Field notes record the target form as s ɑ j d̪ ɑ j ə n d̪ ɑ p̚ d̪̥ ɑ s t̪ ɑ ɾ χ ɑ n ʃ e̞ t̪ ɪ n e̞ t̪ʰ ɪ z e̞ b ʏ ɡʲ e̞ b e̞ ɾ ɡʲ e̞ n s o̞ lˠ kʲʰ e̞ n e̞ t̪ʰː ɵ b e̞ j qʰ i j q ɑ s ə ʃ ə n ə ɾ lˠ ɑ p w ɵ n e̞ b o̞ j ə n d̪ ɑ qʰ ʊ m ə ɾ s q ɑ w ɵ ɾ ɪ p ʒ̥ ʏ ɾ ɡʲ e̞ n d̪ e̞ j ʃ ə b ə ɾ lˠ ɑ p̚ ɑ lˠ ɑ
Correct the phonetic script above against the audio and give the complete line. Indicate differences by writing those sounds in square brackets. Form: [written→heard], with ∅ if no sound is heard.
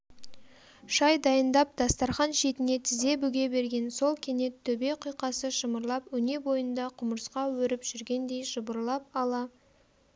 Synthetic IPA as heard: [s→ʃ] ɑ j d̪ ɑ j ə n d̪ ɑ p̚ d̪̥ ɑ s t̪ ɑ ɾ χ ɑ n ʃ e̞ t̪ ɪ n e̞ t̪ʰ ɪ z e̞ b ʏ ɡʲ e̞ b e̞ ɾ ɡʲ e̞ n s o̞ lˠ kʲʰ e̞ n e̞ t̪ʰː ɵ b e̞ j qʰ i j q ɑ s ə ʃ ə [n→m] ə ɾ lˠ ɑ p w ɵ n e̞ b o̞ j ə n d̪ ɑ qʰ ʊ m ə ɾ s q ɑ w ɵ ɾ ɪ p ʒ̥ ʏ ɾ ɡʲ e̞ n d̪ e̞ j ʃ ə b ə ɾ lˠ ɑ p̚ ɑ lˠ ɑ